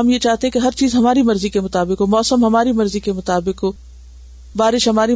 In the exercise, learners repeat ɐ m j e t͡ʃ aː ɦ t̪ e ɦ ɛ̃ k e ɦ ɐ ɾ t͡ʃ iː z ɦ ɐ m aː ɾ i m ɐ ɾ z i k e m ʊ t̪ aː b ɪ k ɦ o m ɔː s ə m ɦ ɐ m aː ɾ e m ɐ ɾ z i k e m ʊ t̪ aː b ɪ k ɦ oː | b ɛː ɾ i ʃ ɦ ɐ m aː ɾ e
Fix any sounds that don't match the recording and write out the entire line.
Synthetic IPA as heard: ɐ m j e t͡ʃ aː ɦ t̪ e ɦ ɛ̃ k e ɦ ɐ ɾ t͡ʃ iː z ɦ ɐ m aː ɾ i m ɐ ɾ z i k e m ʊ t̪ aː b ɪ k ɦ o m ɔː s ə m ɦ ɐ m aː ɾ i m ɐ ɾ z i k e m ʊ t̪ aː b ɪ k ɦ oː | b aː ɾ ɪ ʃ ɦ ɐ m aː ɾ i